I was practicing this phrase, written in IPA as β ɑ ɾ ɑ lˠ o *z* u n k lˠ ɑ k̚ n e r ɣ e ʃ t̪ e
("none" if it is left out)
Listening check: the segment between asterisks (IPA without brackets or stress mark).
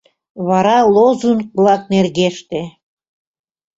z